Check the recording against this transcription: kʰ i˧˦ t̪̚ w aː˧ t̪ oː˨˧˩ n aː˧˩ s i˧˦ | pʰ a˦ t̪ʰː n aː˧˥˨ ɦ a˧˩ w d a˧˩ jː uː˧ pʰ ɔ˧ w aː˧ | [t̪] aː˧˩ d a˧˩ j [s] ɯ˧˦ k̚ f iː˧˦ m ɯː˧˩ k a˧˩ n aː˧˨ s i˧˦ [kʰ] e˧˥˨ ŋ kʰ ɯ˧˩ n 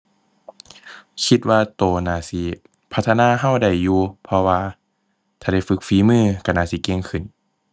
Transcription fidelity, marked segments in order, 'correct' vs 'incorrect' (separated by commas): incorrect, incorrect, incorrect